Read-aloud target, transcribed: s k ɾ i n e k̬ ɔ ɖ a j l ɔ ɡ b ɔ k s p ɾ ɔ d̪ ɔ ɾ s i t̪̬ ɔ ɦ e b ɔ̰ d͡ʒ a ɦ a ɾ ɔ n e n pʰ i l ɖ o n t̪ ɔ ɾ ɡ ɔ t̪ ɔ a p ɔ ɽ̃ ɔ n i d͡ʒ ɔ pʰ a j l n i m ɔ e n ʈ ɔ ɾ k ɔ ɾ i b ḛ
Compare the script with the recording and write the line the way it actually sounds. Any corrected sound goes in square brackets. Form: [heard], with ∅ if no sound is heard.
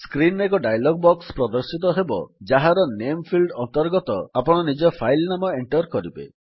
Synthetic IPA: s k ɾ i n e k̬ ɔ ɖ a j l ɔ ɡ b ɔ k s p ɾ ɔ d̪ ɔ ɾ s i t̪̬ ɔ ɦ e b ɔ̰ d͡ʒ a ɦ a ɾ ɔ n e [m] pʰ i l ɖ [ɔ] n t̪ ɔ ɾ ɡ ɔ t̪ ɔ a p ɔ ɽ̃ ɔ n i d͡ʒ ɔ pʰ a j l n [a] m ɔ e [ɳ] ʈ ɔ ɾ k ɔ ɾ i b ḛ

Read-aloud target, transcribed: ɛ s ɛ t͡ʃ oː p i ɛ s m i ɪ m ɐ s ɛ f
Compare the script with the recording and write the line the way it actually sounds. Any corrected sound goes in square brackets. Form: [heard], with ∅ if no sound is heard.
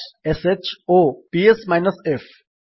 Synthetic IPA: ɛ s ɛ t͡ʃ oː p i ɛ s m [a] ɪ [n] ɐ s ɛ f

